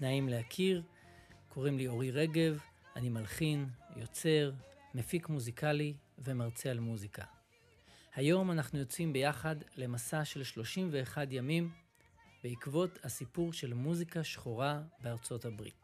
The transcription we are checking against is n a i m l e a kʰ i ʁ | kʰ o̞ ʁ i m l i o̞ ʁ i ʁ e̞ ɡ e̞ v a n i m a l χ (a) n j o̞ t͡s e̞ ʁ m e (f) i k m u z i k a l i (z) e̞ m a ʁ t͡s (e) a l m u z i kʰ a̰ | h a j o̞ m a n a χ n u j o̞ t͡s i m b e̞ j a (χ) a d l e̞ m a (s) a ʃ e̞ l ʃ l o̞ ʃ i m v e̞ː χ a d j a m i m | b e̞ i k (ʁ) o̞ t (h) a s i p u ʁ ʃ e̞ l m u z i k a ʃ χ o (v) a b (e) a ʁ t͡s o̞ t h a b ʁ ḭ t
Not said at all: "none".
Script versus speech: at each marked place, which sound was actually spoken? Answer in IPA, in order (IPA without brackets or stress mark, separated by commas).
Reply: i, f, v, e, χ, s, v, h, ʁ, e